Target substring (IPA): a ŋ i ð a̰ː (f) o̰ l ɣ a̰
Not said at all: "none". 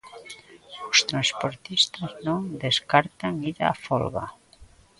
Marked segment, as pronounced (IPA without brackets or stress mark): f